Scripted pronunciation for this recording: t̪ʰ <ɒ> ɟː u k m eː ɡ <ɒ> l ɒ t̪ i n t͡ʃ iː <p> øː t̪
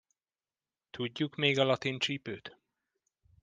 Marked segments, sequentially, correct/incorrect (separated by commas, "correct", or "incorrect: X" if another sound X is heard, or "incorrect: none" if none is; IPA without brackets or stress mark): incorrect: u, correct, correct